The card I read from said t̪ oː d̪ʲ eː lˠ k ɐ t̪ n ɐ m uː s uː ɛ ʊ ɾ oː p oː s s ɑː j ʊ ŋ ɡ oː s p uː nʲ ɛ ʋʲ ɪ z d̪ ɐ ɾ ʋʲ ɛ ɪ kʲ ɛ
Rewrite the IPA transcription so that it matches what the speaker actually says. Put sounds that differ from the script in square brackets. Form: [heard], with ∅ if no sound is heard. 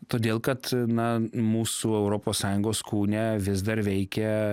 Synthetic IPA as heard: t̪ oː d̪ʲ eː lˠ k ɐ t̪ n ɐ m uː s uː ɛ ʊ ɾ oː p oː s s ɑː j ʊ ŋ ɡ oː s [k] uː nʲ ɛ ʋʲ ɪ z d̪ ɐ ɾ ʋʲ ɛ ɪ kʲ ɛ